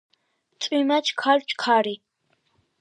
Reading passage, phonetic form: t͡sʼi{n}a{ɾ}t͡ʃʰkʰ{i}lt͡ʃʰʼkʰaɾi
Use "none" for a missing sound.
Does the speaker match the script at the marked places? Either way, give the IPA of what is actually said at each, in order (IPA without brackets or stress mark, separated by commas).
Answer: m, none, a